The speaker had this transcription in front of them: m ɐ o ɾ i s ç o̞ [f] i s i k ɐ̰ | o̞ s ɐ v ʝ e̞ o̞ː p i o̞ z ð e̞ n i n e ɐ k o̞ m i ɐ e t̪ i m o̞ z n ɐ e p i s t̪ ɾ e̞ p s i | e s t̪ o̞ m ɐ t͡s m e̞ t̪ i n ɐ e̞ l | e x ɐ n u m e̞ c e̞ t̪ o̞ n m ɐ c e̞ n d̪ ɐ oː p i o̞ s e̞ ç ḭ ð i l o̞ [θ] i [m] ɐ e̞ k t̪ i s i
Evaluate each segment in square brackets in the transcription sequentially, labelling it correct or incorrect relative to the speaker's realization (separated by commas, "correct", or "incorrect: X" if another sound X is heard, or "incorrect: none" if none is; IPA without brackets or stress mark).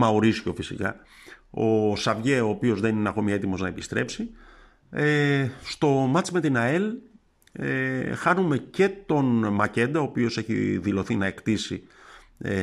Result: correct, correct, incorrect: n